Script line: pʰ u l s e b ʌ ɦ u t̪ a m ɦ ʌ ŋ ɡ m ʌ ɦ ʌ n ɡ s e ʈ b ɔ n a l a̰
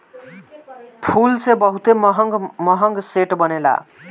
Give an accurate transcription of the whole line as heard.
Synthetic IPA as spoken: pʰ u l s e b ʌ ɦ u t̪ e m ɦ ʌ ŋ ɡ m ʌ ɦ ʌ ŋ ɡ s e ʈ b ʌ n e l a̰